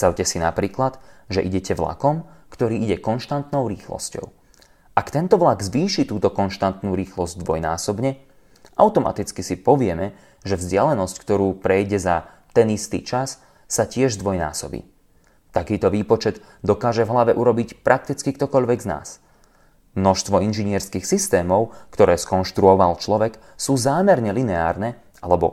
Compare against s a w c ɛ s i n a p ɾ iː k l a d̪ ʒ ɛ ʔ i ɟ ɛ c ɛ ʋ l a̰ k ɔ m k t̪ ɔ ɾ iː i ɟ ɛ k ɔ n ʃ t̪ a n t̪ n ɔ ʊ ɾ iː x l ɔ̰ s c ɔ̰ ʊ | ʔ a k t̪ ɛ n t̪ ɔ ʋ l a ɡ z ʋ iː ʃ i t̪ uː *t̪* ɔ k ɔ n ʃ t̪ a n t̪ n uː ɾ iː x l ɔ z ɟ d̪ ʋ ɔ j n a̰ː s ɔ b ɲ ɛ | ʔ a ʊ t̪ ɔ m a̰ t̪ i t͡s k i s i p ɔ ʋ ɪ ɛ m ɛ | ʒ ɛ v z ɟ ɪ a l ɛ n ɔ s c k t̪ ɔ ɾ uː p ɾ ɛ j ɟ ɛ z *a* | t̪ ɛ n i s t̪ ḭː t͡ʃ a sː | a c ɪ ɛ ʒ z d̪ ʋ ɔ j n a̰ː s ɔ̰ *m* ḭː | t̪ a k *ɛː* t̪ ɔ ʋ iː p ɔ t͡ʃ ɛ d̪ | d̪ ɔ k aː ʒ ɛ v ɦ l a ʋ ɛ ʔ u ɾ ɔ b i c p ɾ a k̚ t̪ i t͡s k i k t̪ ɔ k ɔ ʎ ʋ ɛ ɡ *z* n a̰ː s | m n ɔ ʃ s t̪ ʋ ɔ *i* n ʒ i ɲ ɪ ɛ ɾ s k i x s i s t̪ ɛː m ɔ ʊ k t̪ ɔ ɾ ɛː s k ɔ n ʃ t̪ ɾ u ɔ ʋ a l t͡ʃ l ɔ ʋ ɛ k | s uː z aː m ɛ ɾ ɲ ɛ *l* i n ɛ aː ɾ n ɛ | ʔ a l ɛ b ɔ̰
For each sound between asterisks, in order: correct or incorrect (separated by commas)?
correct, correct, incorrect, incorrect, correct, correct, correct